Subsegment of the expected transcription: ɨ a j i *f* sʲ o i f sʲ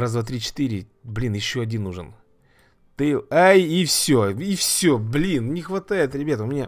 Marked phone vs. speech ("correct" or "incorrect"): correct